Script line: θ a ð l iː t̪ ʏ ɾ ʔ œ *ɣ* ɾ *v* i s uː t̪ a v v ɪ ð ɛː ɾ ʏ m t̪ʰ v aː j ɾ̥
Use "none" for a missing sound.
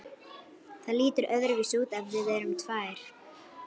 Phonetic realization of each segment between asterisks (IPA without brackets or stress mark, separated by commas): ð, v